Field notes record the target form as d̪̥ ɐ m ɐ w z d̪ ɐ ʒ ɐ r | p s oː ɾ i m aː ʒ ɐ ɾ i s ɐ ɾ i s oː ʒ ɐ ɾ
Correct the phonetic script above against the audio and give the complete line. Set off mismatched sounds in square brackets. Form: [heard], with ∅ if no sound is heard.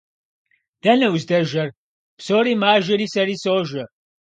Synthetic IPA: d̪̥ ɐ [n] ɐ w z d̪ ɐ ʒ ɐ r | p s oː ɾ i m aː ʒ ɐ ɾ i s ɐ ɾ i s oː ʒ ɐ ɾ